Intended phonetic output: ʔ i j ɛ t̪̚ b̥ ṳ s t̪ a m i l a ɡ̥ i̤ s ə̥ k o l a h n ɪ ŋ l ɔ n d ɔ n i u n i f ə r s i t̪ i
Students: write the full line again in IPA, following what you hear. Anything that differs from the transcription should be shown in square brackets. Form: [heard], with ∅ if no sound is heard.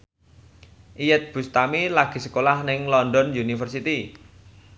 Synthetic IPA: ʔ i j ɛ t̪̚ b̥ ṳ s t̪ a m i l a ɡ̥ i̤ s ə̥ k o l a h n ɪ ŋ l ɔ n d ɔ n [j] u n i f ə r s i t̪ i